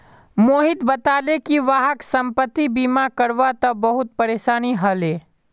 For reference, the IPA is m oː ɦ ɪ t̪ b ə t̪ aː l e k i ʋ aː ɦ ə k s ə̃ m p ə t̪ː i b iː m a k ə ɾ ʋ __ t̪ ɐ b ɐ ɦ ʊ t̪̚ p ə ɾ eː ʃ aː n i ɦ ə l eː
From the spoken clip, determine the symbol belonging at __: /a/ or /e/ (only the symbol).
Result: a